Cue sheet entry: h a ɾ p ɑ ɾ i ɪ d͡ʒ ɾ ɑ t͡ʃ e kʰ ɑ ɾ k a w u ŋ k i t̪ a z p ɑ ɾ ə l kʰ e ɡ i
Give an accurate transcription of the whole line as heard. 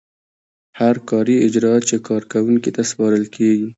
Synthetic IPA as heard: h a ɾ k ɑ ɾ i ɪ d͡ʒ ɾ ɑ t͡ʃ e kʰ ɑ ɾ k a w u ŋ k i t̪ a s p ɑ ɾ ə l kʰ e ɡ i